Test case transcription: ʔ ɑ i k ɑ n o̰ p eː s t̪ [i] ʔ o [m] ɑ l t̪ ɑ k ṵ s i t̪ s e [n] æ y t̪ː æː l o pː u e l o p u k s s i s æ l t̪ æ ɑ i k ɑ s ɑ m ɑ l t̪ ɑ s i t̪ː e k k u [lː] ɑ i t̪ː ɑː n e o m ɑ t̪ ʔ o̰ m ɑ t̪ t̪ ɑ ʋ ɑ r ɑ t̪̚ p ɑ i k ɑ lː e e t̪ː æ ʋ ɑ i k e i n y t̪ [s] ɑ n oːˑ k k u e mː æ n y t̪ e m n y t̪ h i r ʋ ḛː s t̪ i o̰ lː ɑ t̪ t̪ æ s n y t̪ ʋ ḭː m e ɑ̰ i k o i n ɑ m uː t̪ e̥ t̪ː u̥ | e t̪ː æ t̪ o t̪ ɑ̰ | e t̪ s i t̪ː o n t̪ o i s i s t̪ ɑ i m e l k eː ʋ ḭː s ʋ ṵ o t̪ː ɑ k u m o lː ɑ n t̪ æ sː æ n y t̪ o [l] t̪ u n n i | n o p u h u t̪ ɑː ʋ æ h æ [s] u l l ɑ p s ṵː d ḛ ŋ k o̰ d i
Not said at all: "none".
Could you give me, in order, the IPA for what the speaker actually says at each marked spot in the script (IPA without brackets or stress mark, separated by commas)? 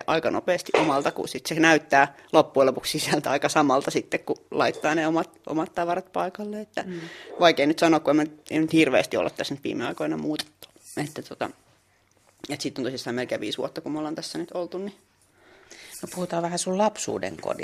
i, m, n, l, s, l, s